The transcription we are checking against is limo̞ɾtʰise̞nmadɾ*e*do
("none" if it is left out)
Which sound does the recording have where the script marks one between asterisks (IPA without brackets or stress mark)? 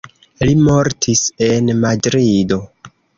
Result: i